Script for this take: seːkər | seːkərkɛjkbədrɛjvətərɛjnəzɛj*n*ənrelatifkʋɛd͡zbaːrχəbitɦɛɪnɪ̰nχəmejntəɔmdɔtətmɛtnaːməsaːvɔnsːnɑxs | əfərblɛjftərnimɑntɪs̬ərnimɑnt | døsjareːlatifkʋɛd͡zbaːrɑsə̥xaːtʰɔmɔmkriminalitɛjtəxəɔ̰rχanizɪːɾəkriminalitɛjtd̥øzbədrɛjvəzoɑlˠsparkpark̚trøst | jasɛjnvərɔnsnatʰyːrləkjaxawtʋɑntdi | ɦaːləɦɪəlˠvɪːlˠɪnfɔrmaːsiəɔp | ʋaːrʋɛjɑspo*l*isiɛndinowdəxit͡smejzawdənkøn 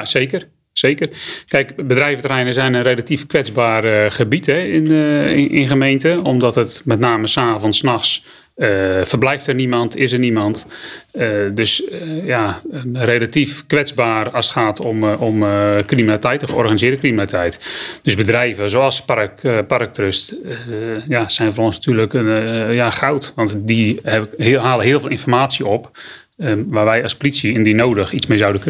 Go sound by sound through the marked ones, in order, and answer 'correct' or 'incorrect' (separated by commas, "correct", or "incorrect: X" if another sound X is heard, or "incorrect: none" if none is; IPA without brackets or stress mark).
correct, correct